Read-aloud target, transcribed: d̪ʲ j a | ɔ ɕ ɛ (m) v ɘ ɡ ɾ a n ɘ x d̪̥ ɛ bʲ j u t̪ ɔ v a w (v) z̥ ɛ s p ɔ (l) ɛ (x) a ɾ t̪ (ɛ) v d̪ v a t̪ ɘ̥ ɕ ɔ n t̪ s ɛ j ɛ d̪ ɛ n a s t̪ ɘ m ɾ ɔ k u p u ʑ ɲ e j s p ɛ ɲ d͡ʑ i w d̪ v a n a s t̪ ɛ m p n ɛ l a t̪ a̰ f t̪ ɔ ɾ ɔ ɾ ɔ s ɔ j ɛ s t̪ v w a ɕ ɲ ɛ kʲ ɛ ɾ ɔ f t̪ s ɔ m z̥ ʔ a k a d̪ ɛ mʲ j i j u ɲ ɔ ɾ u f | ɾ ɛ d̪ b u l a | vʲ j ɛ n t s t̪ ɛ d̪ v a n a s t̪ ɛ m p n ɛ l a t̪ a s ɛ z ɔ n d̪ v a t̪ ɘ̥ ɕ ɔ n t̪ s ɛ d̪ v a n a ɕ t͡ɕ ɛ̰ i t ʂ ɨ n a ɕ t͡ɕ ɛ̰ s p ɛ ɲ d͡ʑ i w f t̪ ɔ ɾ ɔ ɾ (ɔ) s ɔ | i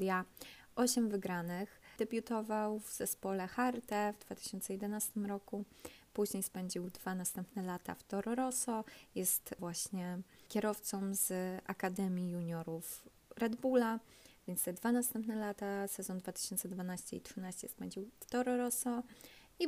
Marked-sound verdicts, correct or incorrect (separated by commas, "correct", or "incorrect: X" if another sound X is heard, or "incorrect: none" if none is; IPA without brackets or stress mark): correct, correct, correct, correct, correct, correct